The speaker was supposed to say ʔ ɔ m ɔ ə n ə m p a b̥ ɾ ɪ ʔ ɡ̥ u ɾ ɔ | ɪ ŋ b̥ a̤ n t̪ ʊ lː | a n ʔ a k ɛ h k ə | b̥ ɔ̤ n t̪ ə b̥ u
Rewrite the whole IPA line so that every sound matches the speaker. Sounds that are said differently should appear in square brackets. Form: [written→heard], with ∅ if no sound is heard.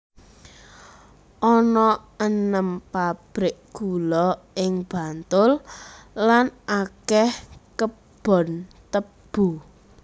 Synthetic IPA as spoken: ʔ ɔ [m→n] ɔ ə n ə m p a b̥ ɾ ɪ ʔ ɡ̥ u [ɾ→l] ɔ | ɪ ŋ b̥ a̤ n t̪ ʊ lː | a n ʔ a k ɛ h k ə | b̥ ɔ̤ n t̪ ə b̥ u